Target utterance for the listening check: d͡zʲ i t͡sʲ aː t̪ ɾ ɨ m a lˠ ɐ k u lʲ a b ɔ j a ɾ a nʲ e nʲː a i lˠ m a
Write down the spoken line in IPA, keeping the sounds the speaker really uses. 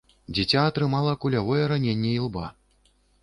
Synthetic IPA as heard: d͡zʲ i t͡sʲ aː t̪ ɾ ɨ m a lˠ ɐ k u lʲ a v ɔ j ɛ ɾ a nʲ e nʲː ɛ i lˠ b a